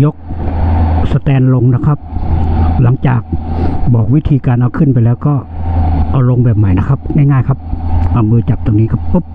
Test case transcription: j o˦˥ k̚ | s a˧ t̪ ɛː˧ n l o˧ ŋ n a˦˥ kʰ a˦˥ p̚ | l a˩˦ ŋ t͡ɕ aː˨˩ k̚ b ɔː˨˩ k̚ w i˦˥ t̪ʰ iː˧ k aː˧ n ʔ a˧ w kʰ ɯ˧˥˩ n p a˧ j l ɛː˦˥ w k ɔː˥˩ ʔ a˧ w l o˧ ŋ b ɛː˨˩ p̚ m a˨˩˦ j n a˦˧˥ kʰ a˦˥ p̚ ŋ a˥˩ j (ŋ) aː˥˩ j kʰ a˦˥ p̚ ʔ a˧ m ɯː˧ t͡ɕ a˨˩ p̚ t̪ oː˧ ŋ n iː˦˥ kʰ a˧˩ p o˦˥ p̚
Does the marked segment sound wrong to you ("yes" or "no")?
no